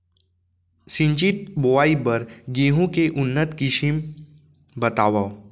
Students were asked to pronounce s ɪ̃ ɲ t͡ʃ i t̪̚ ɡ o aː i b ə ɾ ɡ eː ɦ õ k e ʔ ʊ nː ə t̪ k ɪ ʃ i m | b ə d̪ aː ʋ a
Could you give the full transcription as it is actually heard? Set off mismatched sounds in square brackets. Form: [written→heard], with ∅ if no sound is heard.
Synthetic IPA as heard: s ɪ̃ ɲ t͡ʃ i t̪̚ [ɡ→b] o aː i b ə ɾ ɡ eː ɦ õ k e ʔ ʊ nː ə t̪ k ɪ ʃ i m | b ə [d̪→t̪] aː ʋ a